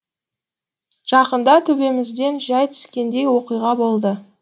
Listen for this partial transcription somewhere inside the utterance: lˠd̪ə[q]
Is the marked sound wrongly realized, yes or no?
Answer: yes